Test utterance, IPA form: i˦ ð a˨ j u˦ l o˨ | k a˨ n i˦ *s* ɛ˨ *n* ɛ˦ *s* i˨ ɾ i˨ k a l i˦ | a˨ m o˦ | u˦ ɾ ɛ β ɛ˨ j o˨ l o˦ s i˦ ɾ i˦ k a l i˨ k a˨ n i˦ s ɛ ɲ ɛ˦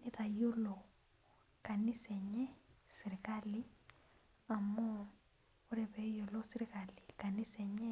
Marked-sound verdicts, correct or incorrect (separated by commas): correct, incorrect, correct